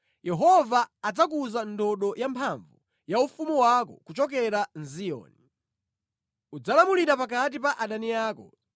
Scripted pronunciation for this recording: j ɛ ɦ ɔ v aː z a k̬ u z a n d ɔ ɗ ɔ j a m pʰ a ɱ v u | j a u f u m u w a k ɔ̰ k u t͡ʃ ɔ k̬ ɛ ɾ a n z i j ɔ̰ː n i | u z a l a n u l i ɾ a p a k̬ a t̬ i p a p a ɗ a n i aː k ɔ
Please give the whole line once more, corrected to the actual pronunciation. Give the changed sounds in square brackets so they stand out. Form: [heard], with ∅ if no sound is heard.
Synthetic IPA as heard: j ɛ ɦ ɔ v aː [d͡z] a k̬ u z a n d ɔ ɗ ɔ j a m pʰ a ɱ v u | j a u f u m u w a k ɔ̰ k u t͡ʃ ɔ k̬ ɛ ɾ a n z i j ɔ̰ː n i | u [d͡z] a l a [m] u l i ɾ a p a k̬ a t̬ i p a [ʔ] a ɗ a n i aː k ɔ